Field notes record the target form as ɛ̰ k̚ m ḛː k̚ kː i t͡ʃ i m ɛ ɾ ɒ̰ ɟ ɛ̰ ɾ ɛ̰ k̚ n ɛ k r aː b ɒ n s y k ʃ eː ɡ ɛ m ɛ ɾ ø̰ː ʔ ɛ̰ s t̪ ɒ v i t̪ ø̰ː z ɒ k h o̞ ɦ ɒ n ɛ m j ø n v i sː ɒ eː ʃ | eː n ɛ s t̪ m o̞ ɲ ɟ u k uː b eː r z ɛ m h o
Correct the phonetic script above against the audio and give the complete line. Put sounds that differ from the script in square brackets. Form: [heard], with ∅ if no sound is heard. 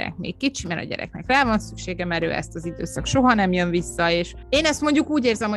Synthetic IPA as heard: ɛ̰ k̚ m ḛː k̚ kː i t͡ʃ i m ɛ ɾ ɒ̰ ɟ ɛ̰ ɾ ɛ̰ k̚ n ɛ k r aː [v] ɒ n s y k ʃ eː ɡ ɛ m ɛ ɾ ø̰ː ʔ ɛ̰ s t̪ ɒ [z] i [d̪] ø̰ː [s] ɒ k [ʃ] o̞ ɦ ɒ n ɛ m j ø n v i sː ɒ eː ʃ | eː n ɛ s t̪ m o̞ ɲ ɟ u k uː [ɟ] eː r z ɛ m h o